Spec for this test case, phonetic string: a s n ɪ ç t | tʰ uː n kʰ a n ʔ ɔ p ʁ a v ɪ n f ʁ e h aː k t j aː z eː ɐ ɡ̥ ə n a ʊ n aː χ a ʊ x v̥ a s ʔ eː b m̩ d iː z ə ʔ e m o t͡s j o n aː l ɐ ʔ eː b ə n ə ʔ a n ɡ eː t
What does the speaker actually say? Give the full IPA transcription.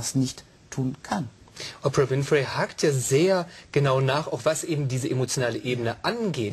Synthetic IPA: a s n ɪ ç t | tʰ uː n kʰ a n ʔ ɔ p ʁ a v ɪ n f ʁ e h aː k t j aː z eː ɐ ɡ̥ ə n a ʊ n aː χ a ʊ x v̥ a s ʔ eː b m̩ d iː z ə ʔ e m o t͡s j o n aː l ə ʔ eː b ə n ə ʔ a n ɡ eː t